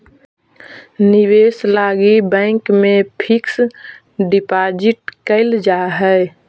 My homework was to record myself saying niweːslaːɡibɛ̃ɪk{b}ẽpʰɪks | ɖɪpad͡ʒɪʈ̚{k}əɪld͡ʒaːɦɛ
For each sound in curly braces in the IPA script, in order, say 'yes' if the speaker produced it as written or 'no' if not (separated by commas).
no, yes